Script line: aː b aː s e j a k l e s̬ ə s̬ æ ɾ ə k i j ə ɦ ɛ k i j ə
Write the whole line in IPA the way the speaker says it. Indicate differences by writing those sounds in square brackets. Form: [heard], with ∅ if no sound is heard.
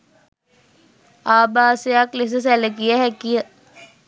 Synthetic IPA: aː b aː s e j a k l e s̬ ə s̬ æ [l] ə k i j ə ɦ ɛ k i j ə